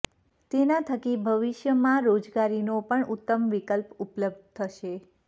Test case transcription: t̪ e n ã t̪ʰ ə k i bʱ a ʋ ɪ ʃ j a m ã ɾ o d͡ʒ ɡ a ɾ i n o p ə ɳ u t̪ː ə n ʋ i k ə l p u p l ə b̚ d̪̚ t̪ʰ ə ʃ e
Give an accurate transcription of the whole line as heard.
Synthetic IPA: t̪ e n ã t̪ʰ ə k i bʱ ə ʋ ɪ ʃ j ə m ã ɾ o d͡ʒ ɡ a ɾ i n o p ə ɳ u t̪ː ə m ʋ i k ə l p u p l ə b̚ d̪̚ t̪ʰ ə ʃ e